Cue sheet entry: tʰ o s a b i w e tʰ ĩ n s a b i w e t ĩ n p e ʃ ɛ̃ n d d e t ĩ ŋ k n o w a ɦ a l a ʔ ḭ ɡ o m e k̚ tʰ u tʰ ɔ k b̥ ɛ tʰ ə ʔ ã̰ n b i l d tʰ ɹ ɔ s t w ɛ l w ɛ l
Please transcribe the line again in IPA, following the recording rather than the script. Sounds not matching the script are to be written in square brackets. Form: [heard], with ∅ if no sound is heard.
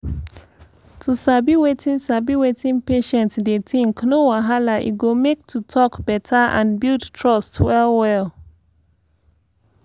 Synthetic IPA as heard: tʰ [u] s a b i w e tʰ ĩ n s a b i w e t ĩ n p e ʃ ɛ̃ n [t] d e t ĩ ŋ k n o w a ɦ a l a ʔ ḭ ɡ o m e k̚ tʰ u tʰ ɔ k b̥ ɛ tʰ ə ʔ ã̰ n b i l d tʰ ɹ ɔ s t w ɛ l w ɛ l